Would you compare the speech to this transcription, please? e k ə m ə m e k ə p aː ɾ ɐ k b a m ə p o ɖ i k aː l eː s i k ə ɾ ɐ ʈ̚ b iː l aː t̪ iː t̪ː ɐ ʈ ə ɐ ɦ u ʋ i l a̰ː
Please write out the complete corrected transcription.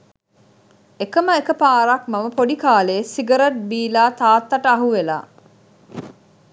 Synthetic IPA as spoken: e k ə m ə e k ə p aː ɾ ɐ k m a m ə p o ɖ i k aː l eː s i ɡ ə ɾ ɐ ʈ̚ b iː l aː t̪ aː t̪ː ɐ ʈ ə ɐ ɦ u ʋ e l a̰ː